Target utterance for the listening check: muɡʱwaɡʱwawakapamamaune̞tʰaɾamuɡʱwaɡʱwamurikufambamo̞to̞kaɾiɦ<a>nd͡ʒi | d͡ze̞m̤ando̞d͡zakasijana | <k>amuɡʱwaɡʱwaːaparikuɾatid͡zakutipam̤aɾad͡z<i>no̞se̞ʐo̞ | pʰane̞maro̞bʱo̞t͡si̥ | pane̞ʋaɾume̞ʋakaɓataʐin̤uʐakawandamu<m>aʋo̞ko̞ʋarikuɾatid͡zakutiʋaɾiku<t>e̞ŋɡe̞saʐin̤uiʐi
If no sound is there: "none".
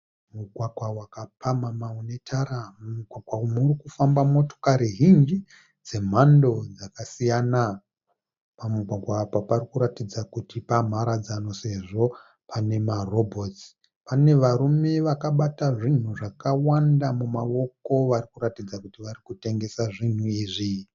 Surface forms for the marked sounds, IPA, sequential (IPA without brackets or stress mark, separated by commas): i, p, a, m, t